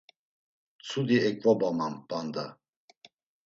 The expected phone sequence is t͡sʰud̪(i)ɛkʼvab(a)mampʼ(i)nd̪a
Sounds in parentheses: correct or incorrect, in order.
correct, correct, incorrect: a

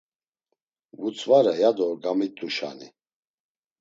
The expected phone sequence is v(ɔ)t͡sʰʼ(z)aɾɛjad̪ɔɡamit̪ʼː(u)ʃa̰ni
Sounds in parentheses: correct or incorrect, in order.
incorrect: u, incorrect: v, correct

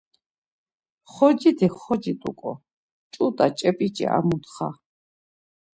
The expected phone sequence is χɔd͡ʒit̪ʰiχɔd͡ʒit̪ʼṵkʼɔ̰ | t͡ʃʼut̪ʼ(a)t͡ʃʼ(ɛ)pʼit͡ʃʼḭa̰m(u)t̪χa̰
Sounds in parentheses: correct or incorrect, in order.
correct, correct, correct

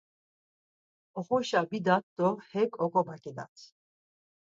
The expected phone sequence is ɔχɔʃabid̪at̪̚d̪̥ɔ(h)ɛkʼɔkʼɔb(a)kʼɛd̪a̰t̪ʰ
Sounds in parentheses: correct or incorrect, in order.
correct, correct

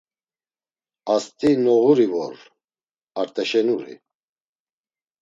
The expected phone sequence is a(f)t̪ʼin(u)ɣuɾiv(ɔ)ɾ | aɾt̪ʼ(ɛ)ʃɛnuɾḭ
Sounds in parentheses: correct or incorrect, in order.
incorrect: s, incorrect: ɔ, correct, correct

